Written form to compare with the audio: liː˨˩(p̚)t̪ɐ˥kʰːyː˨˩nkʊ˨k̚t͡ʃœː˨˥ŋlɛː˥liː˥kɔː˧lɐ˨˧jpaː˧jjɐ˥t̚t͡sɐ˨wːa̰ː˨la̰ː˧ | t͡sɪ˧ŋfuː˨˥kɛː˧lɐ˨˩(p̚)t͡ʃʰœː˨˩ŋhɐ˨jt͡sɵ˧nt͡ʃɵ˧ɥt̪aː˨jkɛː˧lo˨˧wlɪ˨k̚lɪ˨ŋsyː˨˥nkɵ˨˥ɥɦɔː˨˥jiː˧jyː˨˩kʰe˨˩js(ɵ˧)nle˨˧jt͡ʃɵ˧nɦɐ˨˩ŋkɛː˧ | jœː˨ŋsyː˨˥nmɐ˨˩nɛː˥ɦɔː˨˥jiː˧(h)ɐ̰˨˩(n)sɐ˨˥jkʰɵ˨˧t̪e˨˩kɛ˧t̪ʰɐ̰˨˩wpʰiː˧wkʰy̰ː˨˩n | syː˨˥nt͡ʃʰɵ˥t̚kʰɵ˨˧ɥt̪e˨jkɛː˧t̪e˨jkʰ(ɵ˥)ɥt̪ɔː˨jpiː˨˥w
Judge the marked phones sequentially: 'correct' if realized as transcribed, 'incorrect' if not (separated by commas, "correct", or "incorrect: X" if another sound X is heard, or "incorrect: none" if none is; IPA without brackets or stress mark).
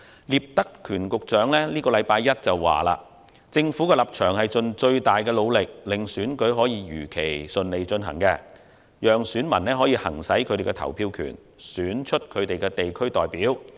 correct, correct, correct, correct, incorrect: ŋ, correct